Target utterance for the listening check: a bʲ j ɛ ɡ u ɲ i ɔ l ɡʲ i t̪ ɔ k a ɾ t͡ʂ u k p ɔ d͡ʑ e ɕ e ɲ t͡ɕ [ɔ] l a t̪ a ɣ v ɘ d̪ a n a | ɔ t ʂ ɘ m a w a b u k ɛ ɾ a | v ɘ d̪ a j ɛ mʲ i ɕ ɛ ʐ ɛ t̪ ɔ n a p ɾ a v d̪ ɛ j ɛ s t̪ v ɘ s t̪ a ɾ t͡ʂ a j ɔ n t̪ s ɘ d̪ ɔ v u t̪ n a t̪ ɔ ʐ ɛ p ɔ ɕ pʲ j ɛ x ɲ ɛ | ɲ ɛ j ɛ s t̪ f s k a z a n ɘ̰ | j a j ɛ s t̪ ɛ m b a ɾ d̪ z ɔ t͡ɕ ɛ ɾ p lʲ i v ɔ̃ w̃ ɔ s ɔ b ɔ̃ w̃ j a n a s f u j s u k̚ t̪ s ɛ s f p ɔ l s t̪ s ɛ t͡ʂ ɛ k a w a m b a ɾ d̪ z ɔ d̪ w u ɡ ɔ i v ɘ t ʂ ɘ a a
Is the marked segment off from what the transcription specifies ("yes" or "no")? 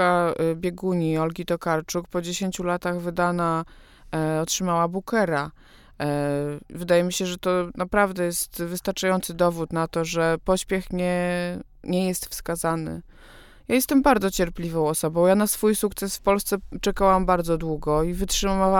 yes